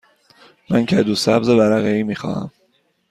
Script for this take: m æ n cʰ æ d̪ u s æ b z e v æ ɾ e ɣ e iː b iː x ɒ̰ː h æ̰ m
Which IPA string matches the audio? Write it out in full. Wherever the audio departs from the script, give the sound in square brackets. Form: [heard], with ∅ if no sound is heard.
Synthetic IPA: m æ n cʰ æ d̪ u s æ b z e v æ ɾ [æ] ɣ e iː [m] iː x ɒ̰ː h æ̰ m